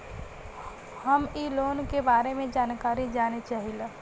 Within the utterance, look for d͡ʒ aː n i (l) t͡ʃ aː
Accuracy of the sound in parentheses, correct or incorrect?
incorrect